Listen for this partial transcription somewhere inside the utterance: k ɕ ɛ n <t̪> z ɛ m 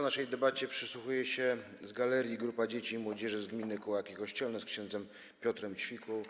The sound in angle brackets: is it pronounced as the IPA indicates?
no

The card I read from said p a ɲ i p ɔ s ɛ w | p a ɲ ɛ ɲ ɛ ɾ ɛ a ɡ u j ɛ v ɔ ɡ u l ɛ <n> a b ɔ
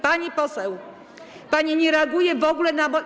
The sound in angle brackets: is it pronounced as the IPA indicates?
yes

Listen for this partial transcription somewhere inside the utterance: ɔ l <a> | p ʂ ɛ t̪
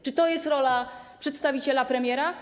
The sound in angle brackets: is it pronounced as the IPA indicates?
yes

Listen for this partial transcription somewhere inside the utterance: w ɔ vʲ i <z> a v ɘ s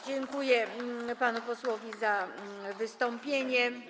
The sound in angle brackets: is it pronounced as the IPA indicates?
yes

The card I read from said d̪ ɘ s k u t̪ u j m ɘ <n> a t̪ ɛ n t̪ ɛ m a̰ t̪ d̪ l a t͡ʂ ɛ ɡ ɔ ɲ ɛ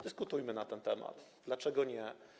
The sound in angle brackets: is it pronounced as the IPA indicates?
yes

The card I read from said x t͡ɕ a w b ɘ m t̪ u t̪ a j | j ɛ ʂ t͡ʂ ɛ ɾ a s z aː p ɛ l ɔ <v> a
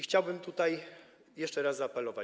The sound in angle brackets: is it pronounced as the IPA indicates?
yes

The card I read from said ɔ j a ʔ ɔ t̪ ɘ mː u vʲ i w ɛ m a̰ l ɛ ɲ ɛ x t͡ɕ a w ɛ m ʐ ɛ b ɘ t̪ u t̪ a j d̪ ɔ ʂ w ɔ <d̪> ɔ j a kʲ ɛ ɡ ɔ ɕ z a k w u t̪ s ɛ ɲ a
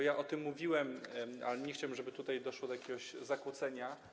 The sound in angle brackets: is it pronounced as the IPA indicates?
yes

